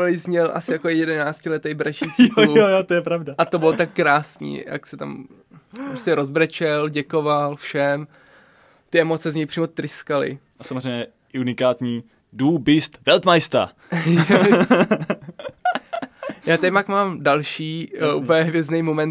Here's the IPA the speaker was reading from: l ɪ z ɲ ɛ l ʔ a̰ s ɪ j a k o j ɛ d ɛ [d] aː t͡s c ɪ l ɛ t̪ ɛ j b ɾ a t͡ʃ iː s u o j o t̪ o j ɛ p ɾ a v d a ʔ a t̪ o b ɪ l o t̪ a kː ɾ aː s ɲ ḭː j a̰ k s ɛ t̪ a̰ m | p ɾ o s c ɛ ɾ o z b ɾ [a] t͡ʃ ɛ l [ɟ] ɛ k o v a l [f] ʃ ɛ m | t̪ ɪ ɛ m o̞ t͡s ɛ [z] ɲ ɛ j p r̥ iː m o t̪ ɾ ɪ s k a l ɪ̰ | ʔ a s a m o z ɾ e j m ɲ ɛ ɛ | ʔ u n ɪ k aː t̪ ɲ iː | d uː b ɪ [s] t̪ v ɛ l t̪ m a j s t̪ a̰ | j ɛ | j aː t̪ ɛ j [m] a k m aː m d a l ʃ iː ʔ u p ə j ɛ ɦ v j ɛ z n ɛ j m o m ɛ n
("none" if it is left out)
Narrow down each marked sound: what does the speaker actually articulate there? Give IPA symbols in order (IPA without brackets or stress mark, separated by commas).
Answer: n, ɛ, ɟ, f, z, s, m